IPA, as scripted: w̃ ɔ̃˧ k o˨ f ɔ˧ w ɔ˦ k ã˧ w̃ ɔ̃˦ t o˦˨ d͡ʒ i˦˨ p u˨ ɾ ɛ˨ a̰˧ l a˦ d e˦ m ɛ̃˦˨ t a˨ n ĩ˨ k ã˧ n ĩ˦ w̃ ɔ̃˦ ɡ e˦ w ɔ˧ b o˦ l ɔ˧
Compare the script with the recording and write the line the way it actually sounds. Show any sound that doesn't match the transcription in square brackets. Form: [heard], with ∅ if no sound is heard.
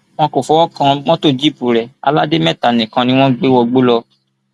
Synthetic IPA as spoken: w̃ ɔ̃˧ k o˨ f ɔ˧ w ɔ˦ k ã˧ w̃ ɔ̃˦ t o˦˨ d͡ʒ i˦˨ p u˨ ɾ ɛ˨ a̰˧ l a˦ d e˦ m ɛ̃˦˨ t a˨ n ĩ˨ k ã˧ n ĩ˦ w̃ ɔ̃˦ [ɡ͡b] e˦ w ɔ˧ [ɡ͡b] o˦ l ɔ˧